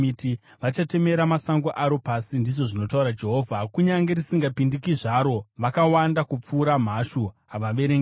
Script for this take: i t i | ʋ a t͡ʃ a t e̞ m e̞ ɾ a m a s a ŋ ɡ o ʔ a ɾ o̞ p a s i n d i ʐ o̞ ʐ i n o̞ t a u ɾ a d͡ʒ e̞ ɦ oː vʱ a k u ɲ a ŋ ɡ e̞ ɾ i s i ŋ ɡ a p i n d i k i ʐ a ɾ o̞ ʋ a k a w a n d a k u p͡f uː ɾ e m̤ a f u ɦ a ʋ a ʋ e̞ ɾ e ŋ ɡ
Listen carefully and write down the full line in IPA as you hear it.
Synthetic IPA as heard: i t i | ʋ a t͡ʃ a t e̞ m e̞ ɾ a m a s a ŋ ɡ o ʔ a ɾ o̞ p a s i n d i ʐ o̞ ʐ i n o̞ t a u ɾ a d͡ʒ e̞ ɦ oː vʱ a k u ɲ a ŋ ɡ e̞ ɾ i s i ŋ ɡ a p i n d i k i ʐ a ɾ o̞ ʋ a k a w a n d a k u p͡f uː ɾ a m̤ a ʃ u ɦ a ʋ a ʋ e̞ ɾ e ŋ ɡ